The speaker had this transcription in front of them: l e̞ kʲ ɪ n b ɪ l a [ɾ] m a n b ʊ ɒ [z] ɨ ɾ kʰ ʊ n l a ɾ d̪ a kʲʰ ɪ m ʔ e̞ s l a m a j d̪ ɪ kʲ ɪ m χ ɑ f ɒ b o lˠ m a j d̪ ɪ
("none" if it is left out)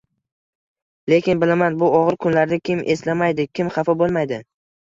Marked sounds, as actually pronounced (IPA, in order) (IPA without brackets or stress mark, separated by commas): none, ʁ